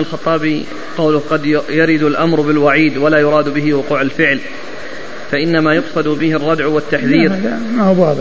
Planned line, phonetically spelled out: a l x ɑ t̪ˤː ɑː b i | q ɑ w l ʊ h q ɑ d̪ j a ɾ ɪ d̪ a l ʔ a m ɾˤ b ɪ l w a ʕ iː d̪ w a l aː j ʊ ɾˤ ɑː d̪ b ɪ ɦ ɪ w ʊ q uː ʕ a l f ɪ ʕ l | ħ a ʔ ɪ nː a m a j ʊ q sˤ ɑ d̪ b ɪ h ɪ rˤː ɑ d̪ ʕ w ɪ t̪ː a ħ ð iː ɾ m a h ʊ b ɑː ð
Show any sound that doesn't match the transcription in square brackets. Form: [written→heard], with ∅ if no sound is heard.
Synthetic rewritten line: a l x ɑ t̪ˤː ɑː b i | q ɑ w l ʊ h q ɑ d̪ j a ɾ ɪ d̪ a l ʔ a m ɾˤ b ɪ l w a ʕ iː d̪ w a l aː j ʊ ɾˤ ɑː d̪ b ɪ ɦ ɪ w ʊ q uː ʕ a l f ɪ ʕ l | [ħ→f] a ʔ ɪ nː a m a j ʊ q sˤ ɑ d̪ b ɪ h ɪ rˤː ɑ d̪ ʕ w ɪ t̪ː a ħ ð iː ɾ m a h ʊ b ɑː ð